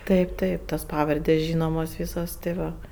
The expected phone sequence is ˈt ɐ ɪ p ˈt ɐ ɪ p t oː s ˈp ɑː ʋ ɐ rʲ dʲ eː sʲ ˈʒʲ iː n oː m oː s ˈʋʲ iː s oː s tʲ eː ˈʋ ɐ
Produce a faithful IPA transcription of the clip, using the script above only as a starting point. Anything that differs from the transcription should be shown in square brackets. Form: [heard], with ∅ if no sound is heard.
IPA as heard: ˈt ɐ ɪ p ˈt ɐ ɪ p t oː s ˈp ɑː ʋ ɐ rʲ dʲ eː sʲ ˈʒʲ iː n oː m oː s ˈʋʲ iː s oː s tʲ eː ˈʋ ɐ